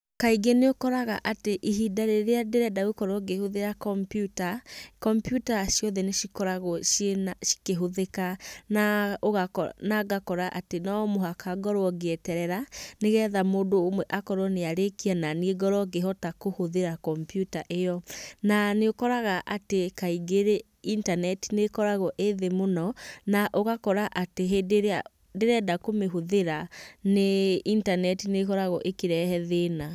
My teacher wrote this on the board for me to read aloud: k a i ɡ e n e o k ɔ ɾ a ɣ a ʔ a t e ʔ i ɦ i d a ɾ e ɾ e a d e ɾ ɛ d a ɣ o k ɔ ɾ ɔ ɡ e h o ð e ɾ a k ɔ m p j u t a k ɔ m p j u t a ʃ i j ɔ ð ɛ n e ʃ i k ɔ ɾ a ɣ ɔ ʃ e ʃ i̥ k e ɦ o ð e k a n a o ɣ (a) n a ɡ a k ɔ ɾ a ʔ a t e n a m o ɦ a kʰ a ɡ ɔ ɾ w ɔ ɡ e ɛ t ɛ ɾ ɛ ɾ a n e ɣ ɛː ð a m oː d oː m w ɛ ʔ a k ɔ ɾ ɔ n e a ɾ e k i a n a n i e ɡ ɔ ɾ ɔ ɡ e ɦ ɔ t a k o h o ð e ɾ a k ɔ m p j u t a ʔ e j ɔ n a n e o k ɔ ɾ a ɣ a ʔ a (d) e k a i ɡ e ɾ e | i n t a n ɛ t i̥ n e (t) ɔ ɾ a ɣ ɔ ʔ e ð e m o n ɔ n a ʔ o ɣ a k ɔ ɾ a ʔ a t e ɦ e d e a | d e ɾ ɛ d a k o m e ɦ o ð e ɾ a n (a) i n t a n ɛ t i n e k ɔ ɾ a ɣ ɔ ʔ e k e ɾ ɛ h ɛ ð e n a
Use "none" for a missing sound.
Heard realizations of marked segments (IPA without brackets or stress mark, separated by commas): a, t, k, e